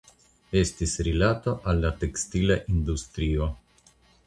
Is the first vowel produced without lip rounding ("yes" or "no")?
yes